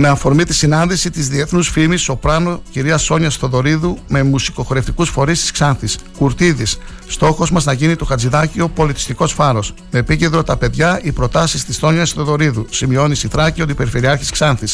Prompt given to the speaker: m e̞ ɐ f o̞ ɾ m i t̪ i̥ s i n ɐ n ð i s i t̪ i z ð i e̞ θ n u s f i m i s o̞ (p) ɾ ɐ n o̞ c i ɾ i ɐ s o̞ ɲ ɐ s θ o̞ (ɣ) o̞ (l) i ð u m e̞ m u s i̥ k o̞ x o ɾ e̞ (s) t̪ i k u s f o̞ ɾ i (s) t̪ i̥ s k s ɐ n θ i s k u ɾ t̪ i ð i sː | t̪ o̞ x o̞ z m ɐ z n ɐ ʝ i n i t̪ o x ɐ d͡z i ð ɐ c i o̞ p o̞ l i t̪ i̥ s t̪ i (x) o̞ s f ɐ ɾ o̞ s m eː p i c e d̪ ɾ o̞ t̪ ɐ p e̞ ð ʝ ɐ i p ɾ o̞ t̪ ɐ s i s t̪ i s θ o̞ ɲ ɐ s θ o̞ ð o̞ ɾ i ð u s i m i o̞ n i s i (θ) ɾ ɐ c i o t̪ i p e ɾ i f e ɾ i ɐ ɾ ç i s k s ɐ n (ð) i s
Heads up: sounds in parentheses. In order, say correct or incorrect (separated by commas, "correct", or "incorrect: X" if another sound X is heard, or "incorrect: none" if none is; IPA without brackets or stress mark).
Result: correct, incorrect: ð, incorrect: ɾ, incorrect: f, correct, incorrect: k, correct, incorrect: θ